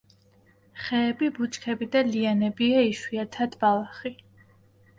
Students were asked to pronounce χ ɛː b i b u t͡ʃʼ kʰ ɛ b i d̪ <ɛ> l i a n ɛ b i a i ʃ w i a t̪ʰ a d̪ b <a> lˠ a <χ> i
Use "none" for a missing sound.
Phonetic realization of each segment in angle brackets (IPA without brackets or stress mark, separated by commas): a, a, χ